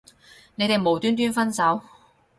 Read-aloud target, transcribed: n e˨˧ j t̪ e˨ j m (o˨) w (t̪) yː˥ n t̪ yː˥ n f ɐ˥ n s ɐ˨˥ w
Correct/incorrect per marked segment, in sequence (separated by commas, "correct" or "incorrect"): correct, correct